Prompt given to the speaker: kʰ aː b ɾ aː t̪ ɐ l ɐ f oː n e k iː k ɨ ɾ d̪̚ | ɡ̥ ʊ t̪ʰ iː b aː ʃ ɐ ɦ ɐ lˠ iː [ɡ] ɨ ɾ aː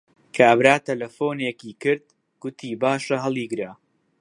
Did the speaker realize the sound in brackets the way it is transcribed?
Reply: yes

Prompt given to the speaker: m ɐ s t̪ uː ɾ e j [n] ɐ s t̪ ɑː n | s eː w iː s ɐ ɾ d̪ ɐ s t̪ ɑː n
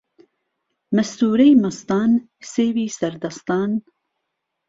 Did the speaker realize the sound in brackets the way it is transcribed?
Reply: no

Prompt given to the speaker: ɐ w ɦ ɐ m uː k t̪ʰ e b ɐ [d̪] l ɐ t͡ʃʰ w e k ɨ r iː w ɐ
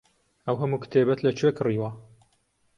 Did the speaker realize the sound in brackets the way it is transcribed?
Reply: no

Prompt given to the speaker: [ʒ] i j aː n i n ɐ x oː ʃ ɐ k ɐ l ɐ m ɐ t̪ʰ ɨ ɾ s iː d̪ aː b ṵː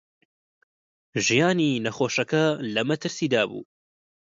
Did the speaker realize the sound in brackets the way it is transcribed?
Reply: yes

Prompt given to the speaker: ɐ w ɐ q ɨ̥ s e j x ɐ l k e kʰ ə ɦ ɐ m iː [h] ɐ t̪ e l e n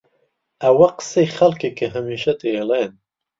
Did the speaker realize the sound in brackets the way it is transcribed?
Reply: no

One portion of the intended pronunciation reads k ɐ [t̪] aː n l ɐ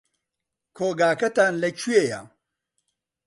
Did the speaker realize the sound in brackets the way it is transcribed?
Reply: yes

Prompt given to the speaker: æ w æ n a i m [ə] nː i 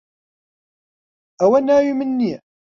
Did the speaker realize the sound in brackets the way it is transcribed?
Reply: yes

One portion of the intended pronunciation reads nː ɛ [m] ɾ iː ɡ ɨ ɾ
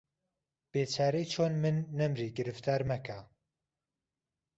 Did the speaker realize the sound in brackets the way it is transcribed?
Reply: yes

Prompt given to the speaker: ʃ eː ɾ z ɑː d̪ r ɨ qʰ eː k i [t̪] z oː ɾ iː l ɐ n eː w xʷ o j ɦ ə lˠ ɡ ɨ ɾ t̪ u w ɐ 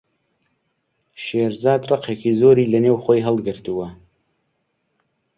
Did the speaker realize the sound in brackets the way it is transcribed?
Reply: no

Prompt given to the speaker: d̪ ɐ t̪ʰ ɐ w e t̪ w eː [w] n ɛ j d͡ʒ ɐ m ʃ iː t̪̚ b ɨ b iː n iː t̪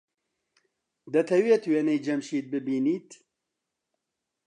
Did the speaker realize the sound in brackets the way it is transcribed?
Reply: no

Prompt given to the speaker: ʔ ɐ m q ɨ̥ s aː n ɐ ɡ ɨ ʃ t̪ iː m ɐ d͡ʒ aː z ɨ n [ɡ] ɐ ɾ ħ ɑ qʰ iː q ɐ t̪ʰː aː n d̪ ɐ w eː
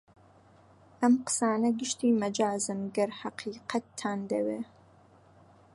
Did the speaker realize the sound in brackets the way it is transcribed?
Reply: yes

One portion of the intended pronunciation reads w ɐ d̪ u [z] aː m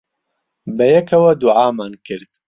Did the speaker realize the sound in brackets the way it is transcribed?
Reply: no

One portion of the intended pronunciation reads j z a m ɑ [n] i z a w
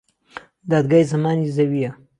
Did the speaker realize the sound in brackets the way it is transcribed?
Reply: yes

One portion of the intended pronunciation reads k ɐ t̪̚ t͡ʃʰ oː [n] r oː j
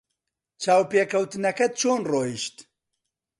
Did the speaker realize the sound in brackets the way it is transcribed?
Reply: yes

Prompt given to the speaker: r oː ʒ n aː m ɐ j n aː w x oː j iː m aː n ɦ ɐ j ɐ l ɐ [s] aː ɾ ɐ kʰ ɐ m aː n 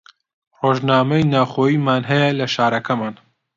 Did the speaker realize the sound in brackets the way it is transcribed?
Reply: no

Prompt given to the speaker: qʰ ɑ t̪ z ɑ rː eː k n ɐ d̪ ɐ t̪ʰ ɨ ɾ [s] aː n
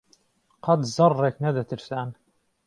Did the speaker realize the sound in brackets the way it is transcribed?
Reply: yes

